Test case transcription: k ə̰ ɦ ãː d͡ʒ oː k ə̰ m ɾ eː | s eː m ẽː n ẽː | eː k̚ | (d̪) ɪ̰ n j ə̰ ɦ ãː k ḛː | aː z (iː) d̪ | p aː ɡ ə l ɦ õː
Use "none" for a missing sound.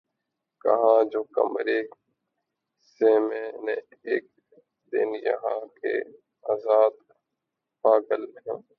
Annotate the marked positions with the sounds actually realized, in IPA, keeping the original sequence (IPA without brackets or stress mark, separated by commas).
d̪, aː